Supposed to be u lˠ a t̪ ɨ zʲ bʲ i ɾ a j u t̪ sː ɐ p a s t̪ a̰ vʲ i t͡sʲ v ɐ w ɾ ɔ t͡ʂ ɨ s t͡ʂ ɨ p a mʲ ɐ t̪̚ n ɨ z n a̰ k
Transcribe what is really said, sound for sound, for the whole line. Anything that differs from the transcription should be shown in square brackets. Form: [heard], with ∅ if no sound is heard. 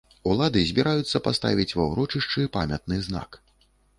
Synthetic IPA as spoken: u lˠ a [d̪] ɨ zʲ bʲ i ɾ a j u t̪ sː ɐ p a s t̪ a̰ vʲ i t͡sʲ v ɐ w ɾ ɔ t͡ʂ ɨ [ʂ] t͡ʂ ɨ p a mʲ ɐ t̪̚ n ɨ z n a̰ k